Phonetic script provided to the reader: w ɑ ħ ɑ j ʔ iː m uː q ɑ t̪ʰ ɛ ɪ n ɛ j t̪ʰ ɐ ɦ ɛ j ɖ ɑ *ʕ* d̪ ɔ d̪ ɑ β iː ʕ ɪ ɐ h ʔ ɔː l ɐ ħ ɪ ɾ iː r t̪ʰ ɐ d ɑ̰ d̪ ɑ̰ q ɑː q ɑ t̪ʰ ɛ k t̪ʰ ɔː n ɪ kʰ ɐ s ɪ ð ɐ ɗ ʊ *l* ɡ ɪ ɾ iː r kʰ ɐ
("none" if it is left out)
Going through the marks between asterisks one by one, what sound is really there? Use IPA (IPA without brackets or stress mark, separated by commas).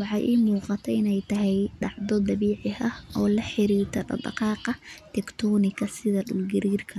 ʕ, l